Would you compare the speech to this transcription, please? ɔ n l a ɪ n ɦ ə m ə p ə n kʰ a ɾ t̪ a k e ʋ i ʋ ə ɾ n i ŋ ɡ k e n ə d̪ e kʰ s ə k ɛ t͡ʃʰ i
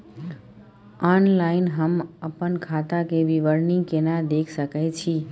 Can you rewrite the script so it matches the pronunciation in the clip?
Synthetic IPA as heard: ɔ n l a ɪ n ɦ ə m ə p ə n kʰ a t̪ a k e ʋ i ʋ ə ɾ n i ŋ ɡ k e n a d̪ e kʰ s ə k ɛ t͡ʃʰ i